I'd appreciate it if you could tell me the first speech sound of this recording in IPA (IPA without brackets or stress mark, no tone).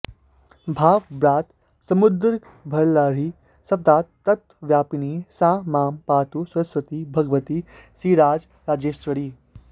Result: bʱ